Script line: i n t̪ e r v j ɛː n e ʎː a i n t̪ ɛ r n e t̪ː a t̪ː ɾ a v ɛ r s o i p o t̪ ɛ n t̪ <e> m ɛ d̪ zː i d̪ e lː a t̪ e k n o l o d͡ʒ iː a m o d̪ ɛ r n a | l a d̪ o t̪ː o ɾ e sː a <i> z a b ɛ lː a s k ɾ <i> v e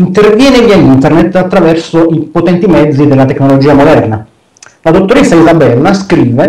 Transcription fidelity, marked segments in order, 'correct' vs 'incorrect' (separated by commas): incorrect, correct, incorrect